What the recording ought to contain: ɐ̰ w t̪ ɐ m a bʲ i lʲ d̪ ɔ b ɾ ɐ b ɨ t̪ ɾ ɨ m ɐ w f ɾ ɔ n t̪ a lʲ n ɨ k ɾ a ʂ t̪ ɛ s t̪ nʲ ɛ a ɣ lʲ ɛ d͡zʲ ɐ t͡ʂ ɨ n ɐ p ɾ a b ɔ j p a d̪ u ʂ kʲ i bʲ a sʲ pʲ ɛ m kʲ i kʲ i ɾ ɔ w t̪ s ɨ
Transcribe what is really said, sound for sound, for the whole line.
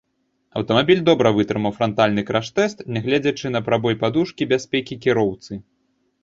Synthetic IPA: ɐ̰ w t̪ ɐ m a bʲ i lʲ d̪ ɔ b ɾ ɐ v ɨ t̪ ɾ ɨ m ɐ w f ɾ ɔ n t̪ a lʲ n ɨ k ɾ a ʂ t̪ ɛ s t̪ nʲ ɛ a ɣ lʲ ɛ d͡zʲ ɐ t͡ʂ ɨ n ɐ p ɾ a b ɔ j p a d̪ u ʂ kʲ i bʲ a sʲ pʲ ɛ kʲ i kʲ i ɾ ɔ w t̪ s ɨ